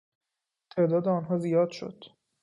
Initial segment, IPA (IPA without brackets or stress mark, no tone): t̪ʰ